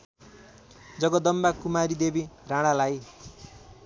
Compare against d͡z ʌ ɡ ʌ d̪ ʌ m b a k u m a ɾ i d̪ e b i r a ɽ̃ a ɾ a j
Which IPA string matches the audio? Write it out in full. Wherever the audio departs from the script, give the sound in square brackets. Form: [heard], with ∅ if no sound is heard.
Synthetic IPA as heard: d͡z ʌ ɡ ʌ d̪ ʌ m b a k u m a ɾ i d̪ e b i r a ɽ̃ a [l] a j